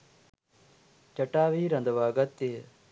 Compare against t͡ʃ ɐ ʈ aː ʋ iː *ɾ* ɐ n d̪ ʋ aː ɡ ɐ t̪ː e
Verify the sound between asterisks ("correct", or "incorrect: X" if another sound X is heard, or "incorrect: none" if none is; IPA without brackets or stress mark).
correct